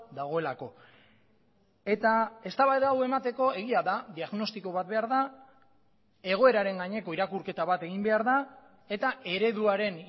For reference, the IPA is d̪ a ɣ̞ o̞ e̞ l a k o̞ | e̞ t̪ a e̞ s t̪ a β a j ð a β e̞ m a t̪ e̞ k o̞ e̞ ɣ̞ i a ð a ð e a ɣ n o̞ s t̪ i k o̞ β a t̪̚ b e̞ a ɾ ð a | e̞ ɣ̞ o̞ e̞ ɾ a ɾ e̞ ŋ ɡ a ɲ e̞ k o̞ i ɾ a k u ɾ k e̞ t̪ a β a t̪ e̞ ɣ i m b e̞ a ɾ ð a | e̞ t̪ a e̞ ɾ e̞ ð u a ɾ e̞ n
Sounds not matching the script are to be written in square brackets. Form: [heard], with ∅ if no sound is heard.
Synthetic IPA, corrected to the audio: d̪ a ɣ̞ o̞ e̞ l a k o̞ | e̞ t̪ a e̞ s t̪ a β a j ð a [w] e̞ m a t̪ e̞ k o̞ e̞ ɣ̞ i a ð a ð [i] a ɣ n o̞ s t̪ i k o̞ β a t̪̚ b e̞ a ɾ ð a | e̞ ɣ̞ o̞ e̞ ɾ a ɾ e̞ ŋ ɡ a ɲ e̞ k o̞ i ɾ a k u ɾ k e̞ t̪ a β a t̪ e̞ ɣ i m b e̞ a ɾ ð a | e̞ t̪ a e̞ ɾ e̞ ð u a ɾ e̞ n